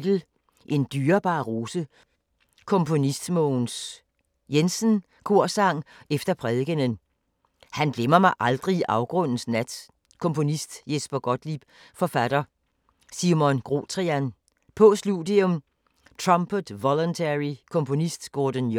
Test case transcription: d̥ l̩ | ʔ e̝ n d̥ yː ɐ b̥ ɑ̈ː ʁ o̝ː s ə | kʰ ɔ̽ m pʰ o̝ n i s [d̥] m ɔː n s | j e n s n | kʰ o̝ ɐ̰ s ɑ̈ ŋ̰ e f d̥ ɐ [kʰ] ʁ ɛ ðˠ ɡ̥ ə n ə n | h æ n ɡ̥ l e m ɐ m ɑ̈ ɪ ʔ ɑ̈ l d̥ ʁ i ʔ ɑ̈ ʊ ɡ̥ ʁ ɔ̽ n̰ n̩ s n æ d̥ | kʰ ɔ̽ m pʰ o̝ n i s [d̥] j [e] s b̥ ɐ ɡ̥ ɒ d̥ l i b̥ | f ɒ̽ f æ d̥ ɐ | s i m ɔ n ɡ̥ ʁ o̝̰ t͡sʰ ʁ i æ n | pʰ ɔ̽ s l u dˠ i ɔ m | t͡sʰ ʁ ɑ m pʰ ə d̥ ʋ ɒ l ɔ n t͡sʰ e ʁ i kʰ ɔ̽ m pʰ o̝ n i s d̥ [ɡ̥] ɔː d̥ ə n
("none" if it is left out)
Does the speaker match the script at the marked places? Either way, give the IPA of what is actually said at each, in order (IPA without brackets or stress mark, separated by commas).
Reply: d̥, pʰ, d̥, e, ɡ̥